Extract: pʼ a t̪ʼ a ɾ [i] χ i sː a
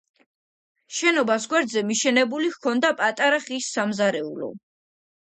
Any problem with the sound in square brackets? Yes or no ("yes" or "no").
yes